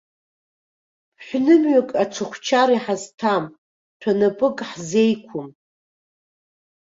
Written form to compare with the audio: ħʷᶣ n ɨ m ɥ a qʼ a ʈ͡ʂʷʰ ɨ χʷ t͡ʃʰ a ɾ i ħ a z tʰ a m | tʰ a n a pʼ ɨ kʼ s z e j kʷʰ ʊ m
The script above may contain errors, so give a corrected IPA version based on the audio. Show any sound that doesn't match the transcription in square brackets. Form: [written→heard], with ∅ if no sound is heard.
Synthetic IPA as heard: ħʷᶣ n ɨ m ɥ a [qʼ→kʼ] a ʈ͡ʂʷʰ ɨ χʷ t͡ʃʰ a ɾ i ħ a z tʰ a m | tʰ a n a pʼ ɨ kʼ [s→ħ] z e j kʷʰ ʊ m